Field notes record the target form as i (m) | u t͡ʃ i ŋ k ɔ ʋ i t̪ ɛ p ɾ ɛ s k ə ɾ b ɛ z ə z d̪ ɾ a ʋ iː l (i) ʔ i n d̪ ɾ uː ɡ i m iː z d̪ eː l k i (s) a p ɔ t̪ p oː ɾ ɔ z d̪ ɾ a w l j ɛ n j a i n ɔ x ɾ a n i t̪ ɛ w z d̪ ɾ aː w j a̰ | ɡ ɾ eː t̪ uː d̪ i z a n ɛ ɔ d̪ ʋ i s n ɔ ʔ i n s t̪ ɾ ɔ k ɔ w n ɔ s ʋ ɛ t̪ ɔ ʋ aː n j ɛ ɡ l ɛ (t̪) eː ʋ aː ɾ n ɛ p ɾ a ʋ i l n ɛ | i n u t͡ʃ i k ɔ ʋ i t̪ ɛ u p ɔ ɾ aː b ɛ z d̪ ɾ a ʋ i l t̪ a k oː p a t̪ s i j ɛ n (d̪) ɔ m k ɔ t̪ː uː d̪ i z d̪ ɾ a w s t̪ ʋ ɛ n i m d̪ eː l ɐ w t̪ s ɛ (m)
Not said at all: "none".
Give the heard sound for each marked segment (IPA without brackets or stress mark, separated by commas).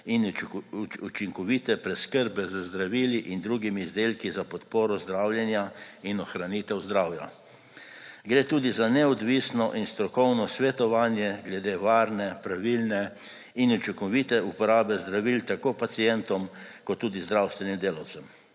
n, i, z, d̪, t̪, m